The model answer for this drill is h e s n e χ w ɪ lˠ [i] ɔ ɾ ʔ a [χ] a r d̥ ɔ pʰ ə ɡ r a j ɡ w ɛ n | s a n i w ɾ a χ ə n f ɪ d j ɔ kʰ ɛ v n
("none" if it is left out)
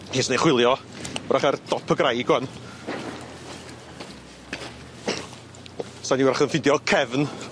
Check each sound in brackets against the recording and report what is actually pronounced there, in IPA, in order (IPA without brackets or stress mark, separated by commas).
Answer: j, χ